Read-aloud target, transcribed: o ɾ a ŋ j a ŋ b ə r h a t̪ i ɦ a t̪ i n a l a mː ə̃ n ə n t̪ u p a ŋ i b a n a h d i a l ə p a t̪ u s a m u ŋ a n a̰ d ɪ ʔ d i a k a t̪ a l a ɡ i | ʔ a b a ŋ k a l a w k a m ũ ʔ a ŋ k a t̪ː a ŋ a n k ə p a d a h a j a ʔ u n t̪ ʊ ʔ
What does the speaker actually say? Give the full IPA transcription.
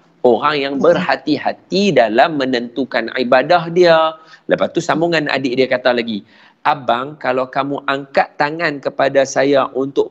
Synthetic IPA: o ɾ a ŋ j a ŋ b ə r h a t̪ i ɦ a t̪ i d a l a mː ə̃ n ə n t̪ u k a n i b a d a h d i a l ə p a t̪ u s a m u ŋ a n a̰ d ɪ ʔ d i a k a t̪ a l a ɡ i | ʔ a b a ŋ k a l a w k a m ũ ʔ a ŋ k a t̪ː a ŋ a n k ə p a d a s a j a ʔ u n t̪ ʊ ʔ